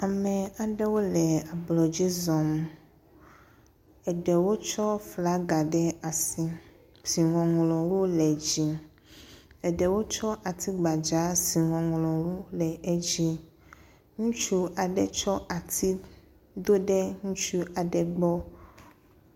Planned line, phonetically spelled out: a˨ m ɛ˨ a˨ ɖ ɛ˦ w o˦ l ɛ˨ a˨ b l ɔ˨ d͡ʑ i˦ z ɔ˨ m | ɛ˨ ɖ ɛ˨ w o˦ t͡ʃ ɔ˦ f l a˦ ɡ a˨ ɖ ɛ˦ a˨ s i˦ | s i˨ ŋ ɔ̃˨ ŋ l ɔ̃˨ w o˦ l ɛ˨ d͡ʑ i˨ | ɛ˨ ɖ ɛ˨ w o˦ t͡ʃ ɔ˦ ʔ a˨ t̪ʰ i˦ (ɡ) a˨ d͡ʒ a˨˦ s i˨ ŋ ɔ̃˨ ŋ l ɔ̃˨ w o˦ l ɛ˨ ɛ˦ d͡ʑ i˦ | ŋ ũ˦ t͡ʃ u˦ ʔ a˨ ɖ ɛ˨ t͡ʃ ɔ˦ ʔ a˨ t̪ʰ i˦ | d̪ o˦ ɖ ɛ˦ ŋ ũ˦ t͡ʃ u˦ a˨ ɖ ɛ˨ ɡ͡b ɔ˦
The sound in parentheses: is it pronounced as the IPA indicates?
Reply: no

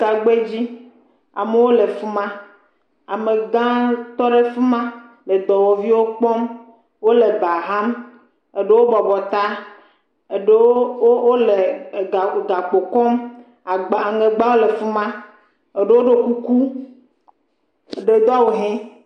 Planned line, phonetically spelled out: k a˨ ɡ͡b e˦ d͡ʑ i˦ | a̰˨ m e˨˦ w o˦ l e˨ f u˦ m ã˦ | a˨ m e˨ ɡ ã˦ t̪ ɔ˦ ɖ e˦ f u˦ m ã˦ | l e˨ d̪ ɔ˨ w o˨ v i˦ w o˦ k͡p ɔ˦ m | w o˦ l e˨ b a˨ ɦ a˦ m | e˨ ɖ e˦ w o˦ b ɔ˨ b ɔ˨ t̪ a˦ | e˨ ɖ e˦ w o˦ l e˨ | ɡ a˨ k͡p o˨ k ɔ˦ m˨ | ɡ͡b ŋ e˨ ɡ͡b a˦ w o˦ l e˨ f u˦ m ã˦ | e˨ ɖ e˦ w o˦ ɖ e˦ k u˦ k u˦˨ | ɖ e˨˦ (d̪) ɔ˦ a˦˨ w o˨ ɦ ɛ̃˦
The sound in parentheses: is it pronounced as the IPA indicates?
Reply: yes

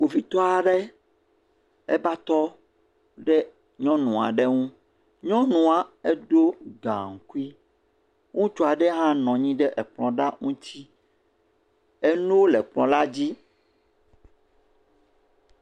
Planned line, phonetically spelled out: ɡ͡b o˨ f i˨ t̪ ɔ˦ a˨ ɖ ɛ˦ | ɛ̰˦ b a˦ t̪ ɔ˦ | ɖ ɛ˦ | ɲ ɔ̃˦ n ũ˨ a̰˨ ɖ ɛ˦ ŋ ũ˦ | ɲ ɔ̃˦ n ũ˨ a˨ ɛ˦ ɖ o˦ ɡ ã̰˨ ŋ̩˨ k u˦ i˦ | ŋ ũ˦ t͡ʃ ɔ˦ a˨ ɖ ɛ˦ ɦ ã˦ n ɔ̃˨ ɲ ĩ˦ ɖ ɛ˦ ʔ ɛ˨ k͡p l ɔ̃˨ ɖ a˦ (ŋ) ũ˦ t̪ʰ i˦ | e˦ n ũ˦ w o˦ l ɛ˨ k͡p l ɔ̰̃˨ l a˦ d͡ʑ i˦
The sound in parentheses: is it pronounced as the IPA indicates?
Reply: yes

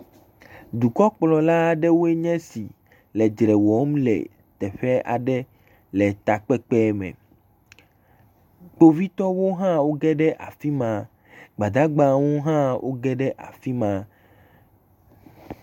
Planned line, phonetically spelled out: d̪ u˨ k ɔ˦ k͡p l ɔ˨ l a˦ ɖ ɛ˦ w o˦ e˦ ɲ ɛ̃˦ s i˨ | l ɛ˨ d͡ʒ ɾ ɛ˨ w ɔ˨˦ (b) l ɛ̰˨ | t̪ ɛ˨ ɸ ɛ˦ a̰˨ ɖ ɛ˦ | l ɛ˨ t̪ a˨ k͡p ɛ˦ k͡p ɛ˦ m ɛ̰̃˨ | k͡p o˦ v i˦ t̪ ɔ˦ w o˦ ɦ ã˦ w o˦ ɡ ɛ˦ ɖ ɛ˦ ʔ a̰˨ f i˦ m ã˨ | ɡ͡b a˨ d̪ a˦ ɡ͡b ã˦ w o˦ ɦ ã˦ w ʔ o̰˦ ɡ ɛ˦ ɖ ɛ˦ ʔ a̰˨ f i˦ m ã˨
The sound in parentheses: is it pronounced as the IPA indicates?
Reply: no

